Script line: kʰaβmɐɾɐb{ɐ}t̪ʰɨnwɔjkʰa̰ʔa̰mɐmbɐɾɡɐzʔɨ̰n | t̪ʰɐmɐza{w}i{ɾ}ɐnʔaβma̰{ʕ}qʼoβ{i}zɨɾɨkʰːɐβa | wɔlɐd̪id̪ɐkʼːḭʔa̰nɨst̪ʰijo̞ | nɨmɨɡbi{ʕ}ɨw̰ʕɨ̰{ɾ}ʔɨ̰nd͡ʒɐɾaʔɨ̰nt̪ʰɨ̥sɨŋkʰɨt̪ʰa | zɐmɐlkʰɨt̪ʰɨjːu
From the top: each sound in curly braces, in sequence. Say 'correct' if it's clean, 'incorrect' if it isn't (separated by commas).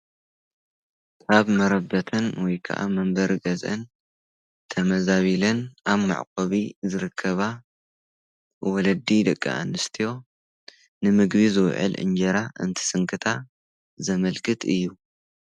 correct, incorrect, incorrect, correct, correct, incorrect, incorrect